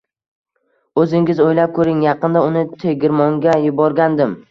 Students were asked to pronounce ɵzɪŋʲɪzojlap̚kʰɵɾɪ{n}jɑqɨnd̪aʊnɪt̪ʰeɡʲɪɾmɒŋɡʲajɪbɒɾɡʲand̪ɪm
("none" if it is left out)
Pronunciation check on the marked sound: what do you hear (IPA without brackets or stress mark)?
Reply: ŋ